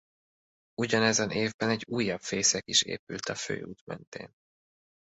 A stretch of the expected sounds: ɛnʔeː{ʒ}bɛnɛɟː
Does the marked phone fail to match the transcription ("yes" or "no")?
yes